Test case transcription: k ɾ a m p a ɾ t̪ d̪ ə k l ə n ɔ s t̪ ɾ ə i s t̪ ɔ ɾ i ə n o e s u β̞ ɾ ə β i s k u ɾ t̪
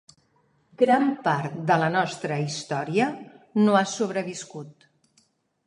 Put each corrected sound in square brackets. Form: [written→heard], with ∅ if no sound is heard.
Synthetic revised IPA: [k→ɡ] ɾ a m p a ɾ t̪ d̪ ə [k→∅] l ə n ɔ s t̪ ɾ ə i s t̪ ɔ ɾ i ə n o [e→a] s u β̞ ɾ ə β i s k u [ɾ→∅] t̪